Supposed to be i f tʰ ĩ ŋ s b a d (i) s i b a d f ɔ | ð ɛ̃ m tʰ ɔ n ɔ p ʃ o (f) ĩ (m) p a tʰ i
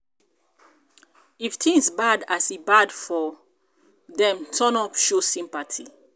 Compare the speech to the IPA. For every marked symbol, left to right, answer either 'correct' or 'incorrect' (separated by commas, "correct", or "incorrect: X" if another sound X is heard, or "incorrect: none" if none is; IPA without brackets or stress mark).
incorrect: a, incorrect: s, correct